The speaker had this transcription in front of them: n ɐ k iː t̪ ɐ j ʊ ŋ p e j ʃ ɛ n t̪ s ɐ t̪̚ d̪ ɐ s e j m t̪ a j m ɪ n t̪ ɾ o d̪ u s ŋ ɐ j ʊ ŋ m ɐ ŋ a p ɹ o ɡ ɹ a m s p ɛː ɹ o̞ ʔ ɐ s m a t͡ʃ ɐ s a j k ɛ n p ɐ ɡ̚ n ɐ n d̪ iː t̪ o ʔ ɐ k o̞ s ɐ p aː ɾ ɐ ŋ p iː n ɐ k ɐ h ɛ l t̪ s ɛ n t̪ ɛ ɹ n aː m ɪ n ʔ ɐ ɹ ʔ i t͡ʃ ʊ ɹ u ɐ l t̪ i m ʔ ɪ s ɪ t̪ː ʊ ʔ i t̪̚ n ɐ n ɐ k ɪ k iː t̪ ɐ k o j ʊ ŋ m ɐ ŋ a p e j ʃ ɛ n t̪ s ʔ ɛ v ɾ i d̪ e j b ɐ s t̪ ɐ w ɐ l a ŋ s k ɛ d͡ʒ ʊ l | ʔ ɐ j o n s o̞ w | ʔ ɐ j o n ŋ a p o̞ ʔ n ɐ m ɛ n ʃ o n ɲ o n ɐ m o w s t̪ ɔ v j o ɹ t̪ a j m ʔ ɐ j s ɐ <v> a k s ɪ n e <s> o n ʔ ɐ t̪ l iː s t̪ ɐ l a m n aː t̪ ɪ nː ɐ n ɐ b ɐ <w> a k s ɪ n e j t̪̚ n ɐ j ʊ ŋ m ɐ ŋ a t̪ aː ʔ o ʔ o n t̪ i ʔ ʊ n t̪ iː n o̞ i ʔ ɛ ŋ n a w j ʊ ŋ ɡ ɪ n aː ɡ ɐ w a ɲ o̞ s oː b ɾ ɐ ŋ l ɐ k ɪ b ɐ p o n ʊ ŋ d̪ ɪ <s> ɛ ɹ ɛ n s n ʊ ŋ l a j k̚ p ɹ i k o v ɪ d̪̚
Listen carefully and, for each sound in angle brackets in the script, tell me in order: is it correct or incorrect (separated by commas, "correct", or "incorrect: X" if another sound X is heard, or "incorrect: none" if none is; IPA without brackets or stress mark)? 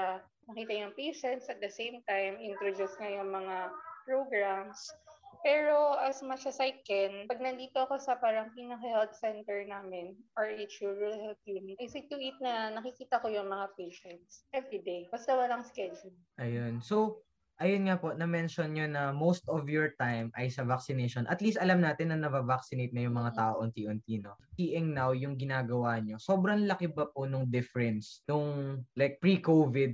correct, incorrect: ʃ, incorrect: v, incorrect: f